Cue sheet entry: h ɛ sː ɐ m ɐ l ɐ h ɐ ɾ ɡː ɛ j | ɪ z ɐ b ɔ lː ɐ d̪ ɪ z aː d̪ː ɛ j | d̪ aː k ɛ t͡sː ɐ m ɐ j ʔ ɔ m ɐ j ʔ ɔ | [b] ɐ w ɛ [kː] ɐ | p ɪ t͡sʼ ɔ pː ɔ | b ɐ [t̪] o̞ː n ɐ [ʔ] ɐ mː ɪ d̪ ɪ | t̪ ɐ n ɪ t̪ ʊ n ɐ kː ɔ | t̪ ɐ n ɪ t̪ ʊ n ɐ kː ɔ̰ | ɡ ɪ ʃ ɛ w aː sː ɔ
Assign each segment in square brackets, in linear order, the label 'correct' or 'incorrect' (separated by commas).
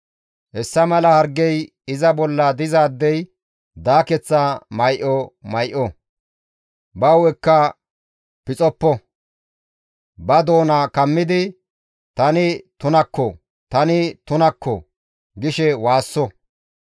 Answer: correct, correct, incorrect, incorrect